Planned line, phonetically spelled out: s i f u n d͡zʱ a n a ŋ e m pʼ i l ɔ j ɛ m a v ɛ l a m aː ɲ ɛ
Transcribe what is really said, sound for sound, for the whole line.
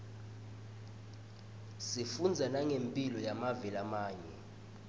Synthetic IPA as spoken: s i f u n d͡zʱ a n a ŋ e m pʼ i l ɔ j a m a v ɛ l a m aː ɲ ɛ